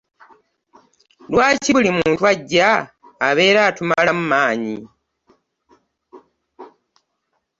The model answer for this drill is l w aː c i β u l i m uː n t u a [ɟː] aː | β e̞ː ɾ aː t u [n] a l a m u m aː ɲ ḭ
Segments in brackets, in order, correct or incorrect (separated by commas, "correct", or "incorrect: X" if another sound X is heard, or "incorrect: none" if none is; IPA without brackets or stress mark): correct, incorrect: m